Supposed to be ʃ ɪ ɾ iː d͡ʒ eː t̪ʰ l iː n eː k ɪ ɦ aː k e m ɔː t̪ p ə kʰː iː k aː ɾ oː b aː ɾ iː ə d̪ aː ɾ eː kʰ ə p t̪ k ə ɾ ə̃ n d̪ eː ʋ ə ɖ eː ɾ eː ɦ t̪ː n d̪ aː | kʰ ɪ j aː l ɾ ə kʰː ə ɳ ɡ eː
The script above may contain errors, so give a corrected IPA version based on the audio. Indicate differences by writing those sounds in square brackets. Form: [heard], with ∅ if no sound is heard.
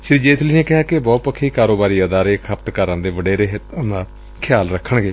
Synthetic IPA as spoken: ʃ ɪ ɾ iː d͡ʒ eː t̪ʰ l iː n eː k ɪ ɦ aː k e [b] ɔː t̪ p ə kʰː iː k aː ɾ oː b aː ɾ iː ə d̪ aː ɾ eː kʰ ə p t̪ k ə ɾ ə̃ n d̪ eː ʋ ə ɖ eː ɾ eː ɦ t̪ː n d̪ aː | kʰ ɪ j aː l ɾ ə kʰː ə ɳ ɡ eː